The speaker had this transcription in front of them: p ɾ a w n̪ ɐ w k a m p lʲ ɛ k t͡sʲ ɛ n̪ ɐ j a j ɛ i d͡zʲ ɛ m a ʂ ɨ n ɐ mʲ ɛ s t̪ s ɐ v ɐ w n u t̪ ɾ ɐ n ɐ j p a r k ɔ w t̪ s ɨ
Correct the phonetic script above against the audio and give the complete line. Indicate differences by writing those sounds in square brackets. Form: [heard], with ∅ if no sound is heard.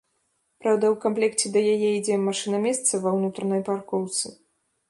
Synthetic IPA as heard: p ɾ a w [d̪] ɐ w k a m p lʲ ɛ k t͡sʲ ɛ [d̪] ɐ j a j ɛ i d͡zʲ ɛ m a ʂ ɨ n ɐ mʲ ɛ s t̪ s ɐ v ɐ w n u t̪ ɾ ɐ n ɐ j p a r k ɔ w t̪ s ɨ